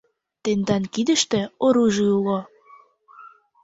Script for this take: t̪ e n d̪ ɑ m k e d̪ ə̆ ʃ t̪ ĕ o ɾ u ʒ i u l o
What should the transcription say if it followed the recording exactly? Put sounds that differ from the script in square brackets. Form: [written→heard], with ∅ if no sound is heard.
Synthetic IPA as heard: t̪ e n d̪ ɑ [m→n] k [e→i] d̪ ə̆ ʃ t̪ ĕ o ɾ u ʒ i u l o